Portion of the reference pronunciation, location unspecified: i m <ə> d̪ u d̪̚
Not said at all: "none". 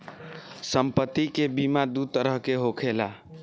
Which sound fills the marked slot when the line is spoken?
a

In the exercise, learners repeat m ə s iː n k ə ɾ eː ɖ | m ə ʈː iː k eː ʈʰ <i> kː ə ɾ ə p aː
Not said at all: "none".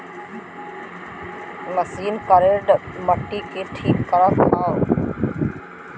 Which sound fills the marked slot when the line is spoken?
iː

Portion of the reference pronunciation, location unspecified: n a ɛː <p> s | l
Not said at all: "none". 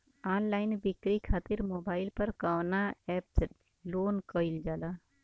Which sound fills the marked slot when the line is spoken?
p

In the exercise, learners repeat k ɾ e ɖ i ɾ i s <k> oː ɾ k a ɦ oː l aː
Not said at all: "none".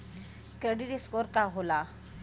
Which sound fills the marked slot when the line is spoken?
k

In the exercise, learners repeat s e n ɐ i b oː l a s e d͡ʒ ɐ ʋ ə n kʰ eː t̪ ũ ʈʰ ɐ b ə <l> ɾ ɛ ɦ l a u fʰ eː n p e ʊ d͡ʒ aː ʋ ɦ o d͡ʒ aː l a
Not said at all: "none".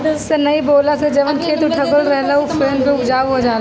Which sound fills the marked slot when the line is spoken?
l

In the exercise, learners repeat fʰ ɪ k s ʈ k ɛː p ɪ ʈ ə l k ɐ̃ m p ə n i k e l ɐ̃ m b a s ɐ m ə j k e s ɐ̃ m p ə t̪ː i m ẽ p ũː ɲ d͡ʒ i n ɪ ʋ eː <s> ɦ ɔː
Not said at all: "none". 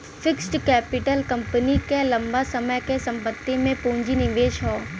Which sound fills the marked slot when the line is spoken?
ʃ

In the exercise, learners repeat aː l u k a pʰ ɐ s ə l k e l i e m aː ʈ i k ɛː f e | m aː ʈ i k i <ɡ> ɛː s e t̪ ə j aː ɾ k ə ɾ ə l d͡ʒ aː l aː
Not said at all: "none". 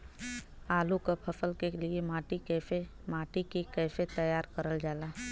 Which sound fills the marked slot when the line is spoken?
k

